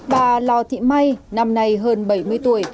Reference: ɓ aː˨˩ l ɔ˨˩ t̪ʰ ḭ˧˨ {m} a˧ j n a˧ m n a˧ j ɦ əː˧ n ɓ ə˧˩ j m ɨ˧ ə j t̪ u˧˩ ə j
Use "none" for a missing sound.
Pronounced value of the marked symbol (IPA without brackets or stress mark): m